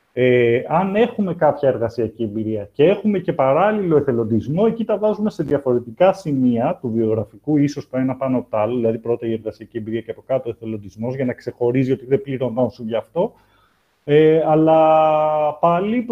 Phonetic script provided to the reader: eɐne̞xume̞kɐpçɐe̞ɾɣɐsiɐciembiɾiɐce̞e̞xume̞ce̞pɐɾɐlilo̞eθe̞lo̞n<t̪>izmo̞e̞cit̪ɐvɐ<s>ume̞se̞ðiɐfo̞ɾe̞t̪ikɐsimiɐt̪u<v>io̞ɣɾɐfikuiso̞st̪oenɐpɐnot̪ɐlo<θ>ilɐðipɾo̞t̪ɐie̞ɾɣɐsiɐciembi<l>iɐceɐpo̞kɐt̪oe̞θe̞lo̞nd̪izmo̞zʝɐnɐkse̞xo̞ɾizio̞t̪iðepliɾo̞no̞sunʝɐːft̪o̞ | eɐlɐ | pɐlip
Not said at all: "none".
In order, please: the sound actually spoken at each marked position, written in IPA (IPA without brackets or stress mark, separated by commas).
d̪, z, v, ð, ɾ